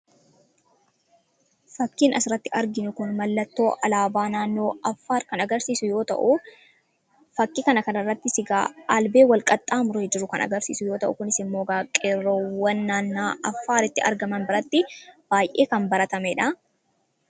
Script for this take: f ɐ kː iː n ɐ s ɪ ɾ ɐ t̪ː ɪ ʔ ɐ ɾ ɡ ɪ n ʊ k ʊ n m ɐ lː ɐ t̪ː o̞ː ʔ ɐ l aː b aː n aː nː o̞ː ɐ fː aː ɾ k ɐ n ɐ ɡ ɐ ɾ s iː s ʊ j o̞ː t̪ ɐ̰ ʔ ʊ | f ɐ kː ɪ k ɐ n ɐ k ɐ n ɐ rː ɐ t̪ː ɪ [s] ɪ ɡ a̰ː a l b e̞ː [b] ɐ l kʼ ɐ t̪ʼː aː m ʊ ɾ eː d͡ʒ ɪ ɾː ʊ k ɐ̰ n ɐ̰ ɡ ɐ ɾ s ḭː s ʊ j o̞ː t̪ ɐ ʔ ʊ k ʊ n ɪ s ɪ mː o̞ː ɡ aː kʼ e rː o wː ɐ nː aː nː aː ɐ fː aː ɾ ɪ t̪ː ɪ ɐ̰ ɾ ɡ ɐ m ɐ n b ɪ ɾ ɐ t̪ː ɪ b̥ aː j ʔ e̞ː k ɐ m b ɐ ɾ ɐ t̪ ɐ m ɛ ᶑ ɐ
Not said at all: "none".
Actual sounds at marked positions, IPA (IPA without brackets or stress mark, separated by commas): s, w